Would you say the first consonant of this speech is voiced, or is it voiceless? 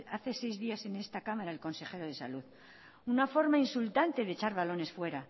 voiceless